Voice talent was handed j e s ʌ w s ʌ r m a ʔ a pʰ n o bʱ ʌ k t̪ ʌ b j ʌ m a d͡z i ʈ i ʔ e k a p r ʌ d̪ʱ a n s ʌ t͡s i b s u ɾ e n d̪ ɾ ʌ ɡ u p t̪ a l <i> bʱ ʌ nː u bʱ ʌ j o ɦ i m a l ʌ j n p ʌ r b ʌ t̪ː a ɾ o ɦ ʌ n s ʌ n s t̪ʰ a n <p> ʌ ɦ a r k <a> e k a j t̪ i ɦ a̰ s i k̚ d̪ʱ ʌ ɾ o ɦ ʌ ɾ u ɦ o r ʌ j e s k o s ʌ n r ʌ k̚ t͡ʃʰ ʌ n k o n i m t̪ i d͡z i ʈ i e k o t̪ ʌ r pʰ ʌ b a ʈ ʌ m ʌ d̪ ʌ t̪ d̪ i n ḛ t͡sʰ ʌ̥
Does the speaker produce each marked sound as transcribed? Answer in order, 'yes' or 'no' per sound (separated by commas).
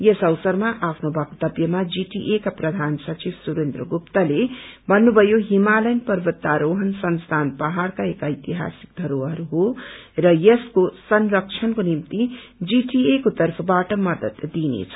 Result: no, yes, yes